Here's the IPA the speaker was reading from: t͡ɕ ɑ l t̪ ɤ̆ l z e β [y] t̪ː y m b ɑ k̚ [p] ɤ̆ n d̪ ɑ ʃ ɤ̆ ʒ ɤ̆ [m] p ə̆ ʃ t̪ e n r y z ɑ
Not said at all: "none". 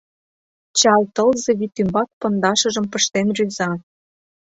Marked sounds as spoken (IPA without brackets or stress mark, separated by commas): i, p, m